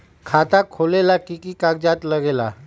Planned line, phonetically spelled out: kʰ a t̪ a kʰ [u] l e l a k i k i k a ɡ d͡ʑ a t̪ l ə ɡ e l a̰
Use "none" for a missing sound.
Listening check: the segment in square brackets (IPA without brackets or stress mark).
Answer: o